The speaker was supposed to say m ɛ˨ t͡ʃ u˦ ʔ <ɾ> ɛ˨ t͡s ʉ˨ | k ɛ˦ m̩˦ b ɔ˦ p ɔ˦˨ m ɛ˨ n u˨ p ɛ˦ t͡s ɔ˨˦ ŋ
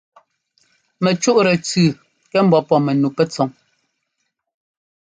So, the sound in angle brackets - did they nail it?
yes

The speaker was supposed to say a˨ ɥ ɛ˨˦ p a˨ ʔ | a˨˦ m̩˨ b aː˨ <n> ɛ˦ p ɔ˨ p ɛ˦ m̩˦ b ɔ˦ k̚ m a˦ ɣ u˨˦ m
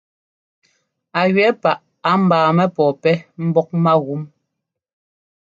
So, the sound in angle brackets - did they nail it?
no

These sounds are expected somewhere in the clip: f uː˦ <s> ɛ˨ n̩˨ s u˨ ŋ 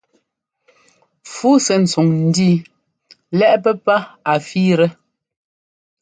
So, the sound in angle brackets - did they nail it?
yes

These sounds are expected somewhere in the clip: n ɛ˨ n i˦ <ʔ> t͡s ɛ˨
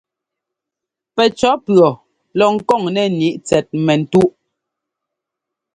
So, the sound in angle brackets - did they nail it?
yes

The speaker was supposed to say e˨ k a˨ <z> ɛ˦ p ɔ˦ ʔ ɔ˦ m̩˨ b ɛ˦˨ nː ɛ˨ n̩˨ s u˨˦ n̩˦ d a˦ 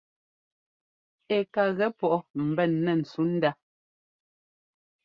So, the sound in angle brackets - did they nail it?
no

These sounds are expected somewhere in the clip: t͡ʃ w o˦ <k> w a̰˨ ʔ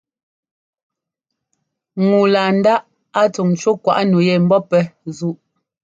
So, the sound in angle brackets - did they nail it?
yes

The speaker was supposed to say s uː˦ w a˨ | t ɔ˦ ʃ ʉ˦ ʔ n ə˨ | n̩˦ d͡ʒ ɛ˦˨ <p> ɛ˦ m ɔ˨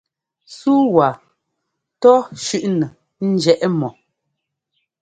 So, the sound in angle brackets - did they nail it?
no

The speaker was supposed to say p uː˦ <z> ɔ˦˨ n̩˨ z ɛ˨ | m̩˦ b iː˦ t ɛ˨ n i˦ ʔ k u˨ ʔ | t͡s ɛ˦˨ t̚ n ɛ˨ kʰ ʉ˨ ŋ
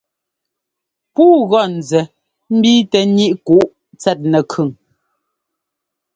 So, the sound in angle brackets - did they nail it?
no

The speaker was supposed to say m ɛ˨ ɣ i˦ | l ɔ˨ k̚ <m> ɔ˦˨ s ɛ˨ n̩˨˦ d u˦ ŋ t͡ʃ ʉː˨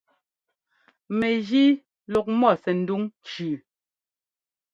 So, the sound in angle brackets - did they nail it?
yes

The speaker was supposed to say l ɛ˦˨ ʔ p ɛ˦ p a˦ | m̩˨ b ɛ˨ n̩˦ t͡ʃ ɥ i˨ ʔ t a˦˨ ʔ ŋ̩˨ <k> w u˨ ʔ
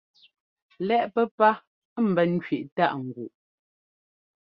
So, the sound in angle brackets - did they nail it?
no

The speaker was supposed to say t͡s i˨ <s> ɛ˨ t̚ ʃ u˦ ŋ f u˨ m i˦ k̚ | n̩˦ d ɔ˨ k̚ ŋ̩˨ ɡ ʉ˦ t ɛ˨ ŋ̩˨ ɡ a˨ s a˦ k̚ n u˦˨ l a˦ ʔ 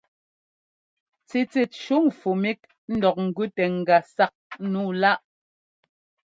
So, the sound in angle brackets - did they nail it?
no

